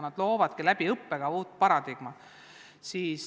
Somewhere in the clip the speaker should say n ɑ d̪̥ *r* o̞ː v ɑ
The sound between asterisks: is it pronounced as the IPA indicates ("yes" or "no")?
no